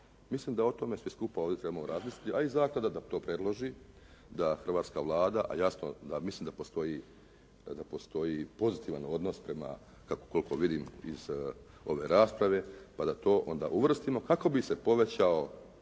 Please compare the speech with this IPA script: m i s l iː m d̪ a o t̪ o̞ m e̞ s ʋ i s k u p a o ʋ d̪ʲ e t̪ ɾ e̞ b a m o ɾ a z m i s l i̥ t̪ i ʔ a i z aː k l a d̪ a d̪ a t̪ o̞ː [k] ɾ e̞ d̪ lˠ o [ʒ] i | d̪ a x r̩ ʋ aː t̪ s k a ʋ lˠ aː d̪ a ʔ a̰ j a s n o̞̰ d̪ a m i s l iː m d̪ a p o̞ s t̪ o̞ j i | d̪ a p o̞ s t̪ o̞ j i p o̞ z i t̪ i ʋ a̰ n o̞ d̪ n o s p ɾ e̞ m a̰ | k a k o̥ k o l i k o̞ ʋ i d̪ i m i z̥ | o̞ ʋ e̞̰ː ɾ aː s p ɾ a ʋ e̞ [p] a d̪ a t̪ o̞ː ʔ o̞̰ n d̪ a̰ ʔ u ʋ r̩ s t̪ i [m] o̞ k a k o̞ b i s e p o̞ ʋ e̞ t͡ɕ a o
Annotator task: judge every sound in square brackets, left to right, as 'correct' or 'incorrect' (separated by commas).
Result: incorrect, correct, correct, correct